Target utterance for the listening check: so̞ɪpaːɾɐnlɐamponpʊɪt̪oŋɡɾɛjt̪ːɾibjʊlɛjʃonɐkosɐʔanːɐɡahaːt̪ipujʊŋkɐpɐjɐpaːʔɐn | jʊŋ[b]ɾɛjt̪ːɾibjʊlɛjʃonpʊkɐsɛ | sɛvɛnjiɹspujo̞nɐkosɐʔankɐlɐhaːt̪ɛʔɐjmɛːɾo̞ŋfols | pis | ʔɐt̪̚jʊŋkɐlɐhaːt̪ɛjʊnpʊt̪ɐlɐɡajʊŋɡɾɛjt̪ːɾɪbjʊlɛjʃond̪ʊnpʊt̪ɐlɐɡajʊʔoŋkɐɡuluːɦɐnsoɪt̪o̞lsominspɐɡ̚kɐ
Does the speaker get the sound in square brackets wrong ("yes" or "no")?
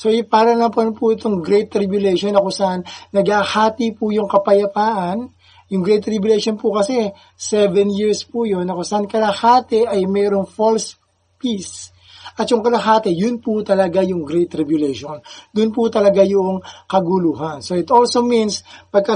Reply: yes